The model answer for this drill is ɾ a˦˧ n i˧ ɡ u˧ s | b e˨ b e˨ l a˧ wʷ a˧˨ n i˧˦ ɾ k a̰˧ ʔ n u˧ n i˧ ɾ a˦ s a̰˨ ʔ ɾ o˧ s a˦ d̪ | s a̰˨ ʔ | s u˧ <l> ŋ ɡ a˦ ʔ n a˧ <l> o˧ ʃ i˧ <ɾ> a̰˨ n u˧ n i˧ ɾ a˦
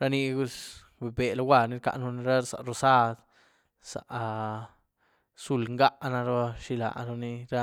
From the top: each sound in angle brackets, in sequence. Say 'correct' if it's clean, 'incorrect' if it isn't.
correct, incorrect, incorrect

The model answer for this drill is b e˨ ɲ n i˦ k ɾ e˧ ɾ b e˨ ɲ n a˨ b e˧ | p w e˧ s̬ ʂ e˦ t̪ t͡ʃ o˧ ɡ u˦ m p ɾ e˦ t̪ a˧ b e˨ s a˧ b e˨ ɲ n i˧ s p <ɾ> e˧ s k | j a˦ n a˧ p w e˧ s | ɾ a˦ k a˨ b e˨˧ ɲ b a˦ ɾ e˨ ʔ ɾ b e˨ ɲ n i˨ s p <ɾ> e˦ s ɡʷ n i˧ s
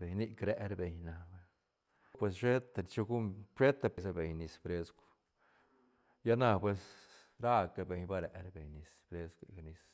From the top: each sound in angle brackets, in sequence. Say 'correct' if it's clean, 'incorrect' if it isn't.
correct, correct

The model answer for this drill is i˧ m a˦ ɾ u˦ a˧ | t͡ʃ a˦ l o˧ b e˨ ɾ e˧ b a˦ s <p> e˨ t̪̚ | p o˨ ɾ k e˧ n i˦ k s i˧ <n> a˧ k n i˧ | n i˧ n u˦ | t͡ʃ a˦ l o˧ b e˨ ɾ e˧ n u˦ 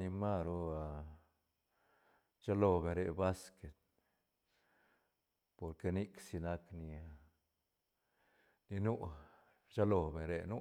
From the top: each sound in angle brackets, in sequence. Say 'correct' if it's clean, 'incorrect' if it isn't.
incorrect, correct

